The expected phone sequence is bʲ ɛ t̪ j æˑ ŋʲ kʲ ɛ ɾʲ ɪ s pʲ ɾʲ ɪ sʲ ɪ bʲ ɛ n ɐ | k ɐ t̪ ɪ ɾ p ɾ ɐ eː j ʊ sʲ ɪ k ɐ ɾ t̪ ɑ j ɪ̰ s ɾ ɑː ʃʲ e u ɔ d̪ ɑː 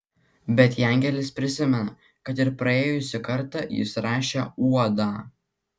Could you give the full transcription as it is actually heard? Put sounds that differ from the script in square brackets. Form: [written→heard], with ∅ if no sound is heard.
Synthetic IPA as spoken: bʲ ɛ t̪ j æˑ ŋʲ [kʲ→ɡʲ] ɛ [ɾʲ→lʲ] ɪ s pʲ ɾʲ ɪ sʲ ɪ [bʲ→mʲ] ɛ n ɐ | k ɐ t̪ ɪ ɾ p ɾ ɐ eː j ʊ sʲ ɪ k ɐ ɾ t̪ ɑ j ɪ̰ s ɾ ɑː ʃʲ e u ɔ d̪ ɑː

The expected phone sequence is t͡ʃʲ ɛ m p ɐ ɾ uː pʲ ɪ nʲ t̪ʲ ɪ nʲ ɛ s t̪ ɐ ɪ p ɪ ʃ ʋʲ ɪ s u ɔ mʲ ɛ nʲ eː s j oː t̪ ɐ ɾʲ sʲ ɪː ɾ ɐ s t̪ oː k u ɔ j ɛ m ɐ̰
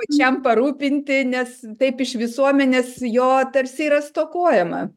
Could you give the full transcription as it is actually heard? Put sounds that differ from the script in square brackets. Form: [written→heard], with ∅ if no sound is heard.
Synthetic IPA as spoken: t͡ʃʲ ɛ m p ɐ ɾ uː pʲ ɪ nʲ t̪ʲ ɪ nʲ ɛ s t̪ ɐ ɪ p ɪ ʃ ʋʲ ɪ s u ɔ mʲ ɛ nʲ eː s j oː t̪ ɐ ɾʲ sʲ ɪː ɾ ɐ s t̪ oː k u ɔ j ɛ m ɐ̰

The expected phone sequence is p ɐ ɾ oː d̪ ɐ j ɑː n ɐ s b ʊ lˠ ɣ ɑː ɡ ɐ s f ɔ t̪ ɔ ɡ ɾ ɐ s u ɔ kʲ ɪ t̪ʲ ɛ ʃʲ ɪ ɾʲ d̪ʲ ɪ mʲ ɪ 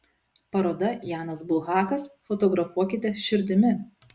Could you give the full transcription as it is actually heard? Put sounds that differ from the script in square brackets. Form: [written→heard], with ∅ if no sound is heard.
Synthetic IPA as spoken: p ɐ ɾ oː d̪ ɐ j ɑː n ɐ s b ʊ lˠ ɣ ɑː [ɡ→k] ɐ s f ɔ t̪ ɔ ɡ ɾ ɐ [s→f] u ɔ kʲ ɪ t̪ʲ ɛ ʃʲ ɪ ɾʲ d̪ʲ ɪ mʲ ɪ

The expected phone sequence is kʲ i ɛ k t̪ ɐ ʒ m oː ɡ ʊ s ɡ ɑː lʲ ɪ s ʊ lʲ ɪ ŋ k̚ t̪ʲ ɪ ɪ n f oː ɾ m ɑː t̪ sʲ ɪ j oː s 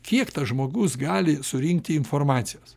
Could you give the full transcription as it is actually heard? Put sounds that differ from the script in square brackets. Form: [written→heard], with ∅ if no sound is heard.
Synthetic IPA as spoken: kʲ i ɛ k t̪ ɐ ʒ m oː ɡ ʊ s ɡ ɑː lʲ ɪ s ʊ [lʲ→ɾʲ] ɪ ŋ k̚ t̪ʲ ɪ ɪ n f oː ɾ m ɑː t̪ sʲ ɪ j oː s

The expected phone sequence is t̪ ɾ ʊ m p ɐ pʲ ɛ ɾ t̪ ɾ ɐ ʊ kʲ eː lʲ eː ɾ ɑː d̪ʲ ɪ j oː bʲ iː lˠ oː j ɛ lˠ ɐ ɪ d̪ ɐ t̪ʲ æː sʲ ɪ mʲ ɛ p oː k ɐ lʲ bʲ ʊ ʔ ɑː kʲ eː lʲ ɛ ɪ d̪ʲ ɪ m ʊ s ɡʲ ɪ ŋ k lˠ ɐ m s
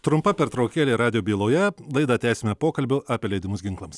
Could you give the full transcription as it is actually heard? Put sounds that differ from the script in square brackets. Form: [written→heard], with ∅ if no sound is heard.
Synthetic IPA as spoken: t̪ ɾ ʊ m p ɐ pʲ ɛ ɾ t̪ ɾ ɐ ʊ kʲ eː lʲ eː ɾ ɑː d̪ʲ ɪ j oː bʲ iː lˠ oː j ɛ lˠ ɐ ɪ d̪ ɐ t̪ʲ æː sʲ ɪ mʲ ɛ p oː k ɐ lʲ bʲ ʊ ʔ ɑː [kʲ→pʲ] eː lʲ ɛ ɪ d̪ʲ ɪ m ʊ s ɡʲ ɪ ŋ k lˠ ɐ m s

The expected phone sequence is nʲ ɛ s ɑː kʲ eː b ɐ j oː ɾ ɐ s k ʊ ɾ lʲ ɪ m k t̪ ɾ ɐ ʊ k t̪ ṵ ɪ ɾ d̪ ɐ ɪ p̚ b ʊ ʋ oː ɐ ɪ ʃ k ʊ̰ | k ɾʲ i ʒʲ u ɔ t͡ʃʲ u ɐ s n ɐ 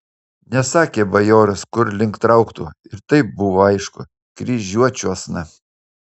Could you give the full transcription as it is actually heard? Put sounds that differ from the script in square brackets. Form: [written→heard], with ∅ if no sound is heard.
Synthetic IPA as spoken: nʲ ɛ s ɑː kʲ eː b ɐ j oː ɾ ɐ s k ʊ ɾ lʲ ɪ [m→ŋ] k t̪ ɾ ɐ ʊ k t̪ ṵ ɪ ɾ [d̪→t̪] ɐ ɪ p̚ b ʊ ʋ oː ɐ ɪ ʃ k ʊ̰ | k ɾʲ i ʒʲ u ɔ t͡ʃʲ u ɐ s n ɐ

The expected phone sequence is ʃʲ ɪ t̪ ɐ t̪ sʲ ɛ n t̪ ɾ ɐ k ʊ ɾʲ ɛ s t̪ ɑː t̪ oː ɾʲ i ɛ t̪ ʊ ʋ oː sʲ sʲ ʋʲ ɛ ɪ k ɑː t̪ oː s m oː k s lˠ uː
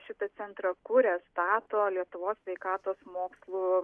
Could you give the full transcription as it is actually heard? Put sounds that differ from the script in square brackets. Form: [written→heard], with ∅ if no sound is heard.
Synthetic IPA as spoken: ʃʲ ɪ t̪ ɐ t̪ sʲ ɛ n t̪ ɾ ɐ k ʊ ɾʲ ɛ s t̪ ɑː t̪ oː [ɾʲ→lʲ] i ɛ t̪ ʊ ʋ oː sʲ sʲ ʋʲ ɛ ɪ k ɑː t̪ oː s m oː k s lˠ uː

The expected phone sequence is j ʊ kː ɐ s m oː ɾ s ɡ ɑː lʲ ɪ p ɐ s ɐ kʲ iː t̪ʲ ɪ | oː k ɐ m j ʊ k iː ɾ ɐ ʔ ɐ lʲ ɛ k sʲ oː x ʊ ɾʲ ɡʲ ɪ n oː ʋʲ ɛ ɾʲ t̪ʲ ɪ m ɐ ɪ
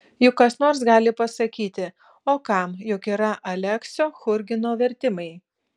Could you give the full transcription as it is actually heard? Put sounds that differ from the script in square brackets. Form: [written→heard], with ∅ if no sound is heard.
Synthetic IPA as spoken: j ʊ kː ɐ s [m→n] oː ɾ s ɡ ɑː lʲ ɪ p ɐ s ɐ kʲ iː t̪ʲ ɪ | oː k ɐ m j ʊ k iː ɾ ɐ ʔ ɐ lʲ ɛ k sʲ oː x ʊ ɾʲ ɡʲ ɪ n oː ʋʲ ɛ ɾʲ t̪ʲ ɪ m ɐ ɪ

